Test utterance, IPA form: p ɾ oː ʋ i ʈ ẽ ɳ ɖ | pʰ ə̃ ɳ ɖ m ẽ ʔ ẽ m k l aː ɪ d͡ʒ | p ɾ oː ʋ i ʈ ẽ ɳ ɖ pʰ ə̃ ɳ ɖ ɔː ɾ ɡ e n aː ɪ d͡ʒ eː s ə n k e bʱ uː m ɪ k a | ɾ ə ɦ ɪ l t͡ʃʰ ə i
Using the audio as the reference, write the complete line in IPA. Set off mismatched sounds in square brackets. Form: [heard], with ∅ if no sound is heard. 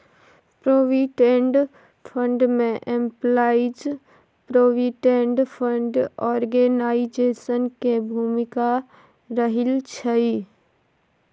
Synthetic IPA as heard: p ɾ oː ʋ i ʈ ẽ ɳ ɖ | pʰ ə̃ ɳ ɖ m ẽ ʔ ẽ m [p] l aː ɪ d͡ʒ | p ɾ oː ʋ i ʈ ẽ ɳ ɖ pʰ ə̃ ɳ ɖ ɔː ɾ ɡ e n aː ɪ d͡ʒ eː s ə n k e bʱ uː m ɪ k a | ɾ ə ɦ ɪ l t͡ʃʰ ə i